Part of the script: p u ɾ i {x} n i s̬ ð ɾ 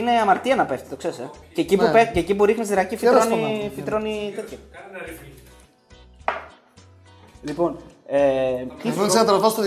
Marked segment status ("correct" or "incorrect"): correct